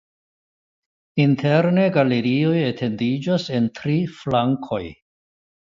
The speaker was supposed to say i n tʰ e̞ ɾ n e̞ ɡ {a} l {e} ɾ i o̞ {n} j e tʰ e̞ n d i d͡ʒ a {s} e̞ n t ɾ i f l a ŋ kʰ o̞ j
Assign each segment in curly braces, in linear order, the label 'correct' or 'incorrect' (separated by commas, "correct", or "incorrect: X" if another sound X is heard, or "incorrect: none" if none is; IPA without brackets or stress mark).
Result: correct, correct, incorrect: none, correct